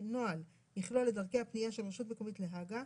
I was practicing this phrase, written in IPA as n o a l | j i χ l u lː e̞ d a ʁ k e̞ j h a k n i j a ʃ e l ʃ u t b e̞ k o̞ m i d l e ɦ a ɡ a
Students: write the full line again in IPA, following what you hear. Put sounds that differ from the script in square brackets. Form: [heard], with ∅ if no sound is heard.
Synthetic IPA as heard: n o a l | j i χ l [o] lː e̞ d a ʁ k e̞ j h a [p] n i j a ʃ e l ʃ u t [m] e̞ k o̞ m i [t] l e ɦ a ɡ a